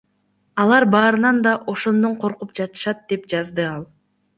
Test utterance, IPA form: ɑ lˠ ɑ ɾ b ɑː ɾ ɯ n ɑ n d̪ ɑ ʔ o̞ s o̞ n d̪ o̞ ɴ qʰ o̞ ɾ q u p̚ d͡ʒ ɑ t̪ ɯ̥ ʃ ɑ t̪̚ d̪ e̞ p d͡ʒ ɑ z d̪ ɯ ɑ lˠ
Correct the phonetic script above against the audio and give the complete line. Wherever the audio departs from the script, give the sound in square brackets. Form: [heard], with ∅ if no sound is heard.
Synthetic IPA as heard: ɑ lˠ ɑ ɾ b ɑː ɾ ɯ n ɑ n d̪ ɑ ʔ o̞ [ʃ] o̞ n d̪ o̞ ɴ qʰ o̞ ɾ q u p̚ d͡ʒ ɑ t̪ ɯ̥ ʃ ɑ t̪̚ d̪ e̞ p d͡ʒ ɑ z d̪ ɯ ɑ lˠ